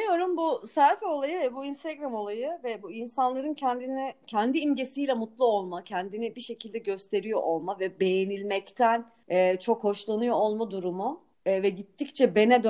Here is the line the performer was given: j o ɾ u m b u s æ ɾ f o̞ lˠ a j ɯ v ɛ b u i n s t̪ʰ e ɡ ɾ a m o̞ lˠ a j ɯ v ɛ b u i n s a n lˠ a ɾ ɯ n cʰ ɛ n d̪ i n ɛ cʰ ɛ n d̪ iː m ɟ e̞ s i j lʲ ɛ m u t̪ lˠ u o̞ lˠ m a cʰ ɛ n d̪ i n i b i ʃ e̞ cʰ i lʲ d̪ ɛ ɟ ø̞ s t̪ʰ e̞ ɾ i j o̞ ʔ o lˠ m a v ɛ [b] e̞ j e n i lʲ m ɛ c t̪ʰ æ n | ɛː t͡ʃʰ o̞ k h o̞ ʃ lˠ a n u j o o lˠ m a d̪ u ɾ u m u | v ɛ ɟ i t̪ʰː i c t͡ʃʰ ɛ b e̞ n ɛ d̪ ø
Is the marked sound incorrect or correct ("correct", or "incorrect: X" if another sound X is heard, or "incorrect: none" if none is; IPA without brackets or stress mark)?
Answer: correct